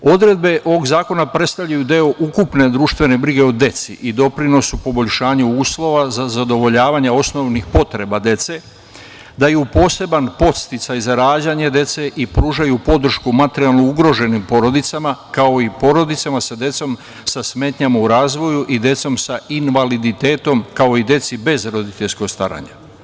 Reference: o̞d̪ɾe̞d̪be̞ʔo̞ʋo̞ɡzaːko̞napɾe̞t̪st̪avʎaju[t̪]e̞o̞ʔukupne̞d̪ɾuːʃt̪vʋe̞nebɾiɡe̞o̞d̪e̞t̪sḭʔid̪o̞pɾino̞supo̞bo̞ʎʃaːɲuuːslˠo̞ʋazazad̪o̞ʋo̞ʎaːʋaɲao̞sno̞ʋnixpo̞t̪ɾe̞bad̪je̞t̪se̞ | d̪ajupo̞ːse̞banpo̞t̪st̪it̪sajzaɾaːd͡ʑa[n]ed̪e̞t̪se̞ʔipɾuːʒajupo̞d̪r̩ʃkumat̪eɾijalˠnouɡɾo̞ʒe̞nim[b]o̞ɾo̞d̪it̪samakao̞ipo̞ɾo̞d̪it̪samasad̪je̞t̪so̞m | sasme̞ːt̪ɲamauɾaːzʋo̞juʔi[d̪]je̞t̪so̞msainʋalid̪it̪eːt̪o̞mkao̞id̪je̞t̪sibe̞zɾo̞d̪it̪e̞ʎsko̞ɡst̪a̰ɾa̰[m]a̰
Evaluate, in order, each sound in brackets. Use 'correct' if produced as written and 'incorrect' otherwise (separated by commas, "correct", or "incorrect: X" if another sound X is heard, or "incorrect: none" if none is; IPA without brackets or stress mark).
incorrect: d̪, incorrect: ɲ, incorrect: p, correct, incorrect: ɲ